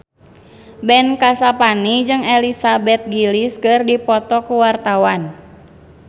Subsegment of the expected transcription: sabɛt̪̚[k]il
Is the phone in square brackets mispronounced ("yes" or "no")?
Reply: yes